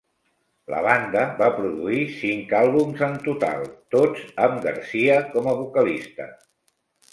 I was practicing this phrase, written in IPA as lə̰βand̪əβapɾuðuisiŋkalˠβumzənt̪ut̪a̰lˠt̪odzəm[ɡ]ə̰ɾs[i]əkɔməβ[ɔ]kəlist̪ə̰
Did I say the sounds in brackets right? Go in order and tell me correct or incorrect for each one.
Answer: correct, correct, incorrect

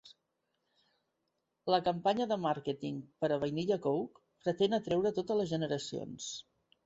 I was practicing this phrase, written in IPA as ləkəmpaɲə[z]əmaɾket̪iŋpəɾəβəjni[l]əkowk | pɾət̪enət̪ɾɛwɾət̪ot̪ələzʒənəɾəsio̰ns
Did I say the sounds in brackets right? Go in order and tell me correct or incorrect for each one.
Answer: incorrect, incorrect

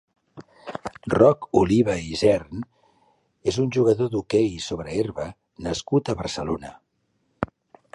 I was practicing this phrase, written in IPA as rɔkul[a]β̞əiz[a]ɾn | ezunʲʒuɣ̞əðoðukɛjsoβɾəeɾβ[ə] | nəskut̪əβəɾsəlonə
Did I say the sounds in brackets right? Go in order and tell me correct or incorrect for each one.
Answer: incorrect, incorrect, correct

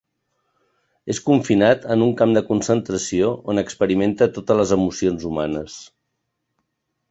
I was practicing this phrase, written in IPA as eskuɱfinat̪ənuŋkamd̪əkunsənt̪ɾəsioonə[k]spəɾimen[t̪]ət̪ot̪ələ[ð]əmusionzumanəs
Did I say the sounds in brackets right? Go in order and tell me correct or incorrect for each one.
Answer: correct, correct, incorrect

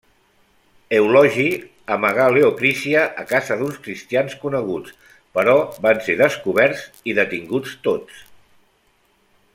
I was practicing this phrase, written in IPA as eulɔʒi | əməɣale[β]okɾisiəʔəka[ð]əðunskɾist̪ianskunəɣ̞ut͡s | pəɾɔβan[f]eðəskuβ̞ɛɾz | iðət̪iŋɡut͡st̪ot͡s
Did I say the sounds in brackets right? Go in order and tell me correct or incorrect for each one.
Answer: incorrect, incorrect, incorrect

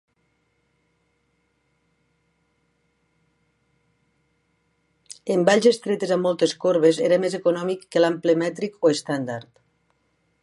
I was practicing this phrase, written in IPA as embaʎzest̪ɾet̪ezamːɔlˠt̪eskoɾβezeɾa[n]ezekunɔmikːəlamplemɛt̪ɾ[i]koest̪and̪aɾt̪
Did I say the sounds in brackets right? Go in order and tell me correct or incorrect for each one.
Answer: incorrect, correct

